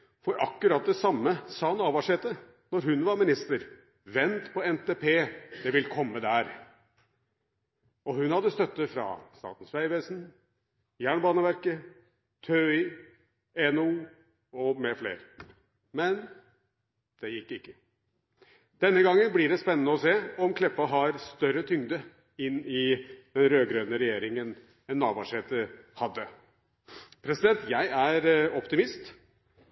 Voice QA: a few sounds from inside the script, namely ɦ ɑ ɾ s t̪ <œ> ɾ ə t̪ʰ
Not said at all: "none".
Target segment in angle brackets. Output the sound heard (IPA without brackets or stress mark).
œ